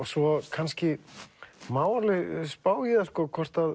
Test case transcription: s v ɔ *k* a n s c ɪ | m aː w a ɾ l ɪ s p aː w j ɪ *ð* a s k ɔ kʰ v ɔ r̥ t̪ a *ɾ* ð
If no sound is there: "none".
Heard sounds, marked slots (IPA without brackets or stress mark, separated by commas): kʰ, ð, none